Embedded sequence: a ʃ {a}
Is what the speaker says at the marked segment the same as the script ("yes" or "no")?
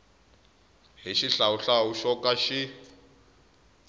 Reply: no